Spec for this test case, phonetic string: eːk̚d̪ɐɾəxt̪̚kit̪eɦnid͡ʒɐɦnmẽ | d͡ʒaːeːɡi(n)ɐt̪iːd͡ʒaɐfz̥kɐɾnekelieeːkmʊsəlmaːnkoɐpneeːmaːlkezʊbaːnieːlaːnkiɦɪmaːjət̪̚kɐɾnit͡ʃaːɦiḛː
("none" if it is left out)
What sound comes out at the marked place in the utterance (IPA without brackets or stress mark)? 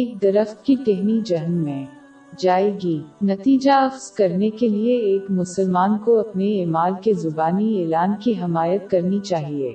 n